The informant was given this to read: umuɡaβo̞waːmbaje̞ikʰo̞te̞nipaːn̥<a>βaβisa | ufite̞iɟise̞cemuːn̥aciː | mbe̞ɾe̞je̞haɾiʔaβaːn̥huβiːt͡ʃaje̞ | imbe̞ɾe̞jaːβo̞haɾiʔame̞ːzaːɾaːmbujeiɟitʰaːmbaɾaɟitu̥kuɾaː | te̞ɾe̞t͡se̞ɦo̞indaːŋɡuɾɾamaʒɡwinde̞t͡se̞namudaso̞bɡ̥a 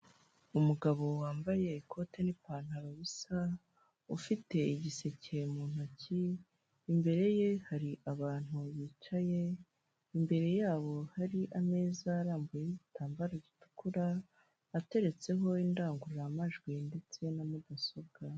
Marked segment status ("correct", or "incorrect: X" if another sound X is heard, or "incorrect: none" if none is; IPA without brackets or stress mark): correct